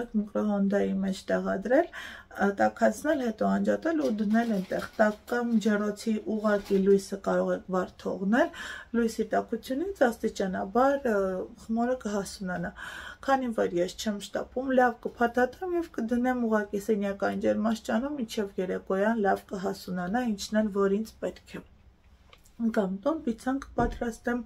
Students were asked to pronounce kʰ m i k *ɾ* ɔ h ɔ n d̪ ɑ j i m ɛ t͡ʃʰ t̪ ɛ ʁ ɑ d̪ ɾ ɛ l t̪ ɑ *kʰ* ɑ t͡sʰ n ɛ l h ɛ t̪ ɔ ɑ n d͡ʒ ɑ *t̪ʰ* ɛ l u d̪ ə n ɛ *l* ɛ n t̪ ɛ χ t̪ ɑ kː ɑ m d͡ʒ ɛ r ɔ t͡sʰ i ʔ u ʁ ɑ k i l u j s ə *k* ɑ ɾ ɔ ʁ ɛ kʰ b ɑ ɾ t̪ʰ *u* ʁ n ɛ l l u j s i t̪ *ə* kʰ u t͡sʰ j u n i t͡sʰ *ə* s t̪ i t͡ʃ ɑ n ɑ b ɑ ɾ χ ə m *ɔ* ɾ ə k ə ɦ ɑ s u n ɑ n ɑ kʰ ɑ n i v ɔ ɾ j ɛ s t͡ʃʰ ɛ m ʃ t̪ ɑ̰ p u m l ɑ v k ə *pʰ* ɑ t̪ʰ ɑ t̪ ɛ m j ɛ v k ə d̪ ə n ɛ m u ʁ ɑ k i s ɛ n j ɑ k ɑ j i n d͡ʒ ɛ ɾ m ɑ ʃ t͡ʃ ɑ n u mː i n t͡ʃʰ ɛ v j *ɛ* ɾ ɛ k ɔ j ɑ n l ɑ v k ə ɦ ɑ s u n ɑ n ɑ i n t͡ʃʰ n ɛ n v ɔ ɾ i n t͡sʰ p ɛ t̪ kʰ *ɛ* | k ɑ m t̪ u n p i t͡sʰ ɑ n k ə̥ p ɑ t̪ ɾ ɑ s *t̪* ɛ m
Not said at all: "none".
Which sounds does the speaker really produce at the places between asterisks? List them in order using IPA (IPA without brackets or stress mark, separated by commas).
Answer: ɾ, kʰ, t̪, l, k, ɔ, ɑ, ɑ, ɔ, pʰ, ɛ, ɛ, t̪